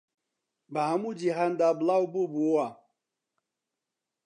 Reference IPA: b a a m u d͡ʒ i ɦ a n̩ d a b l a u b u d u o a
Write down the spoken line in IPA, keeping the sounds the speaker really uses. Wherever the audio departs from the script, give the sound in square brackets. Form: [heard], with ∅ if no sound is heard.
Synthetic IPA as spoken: b a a m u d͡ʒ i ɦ a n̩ d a b l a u b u [b] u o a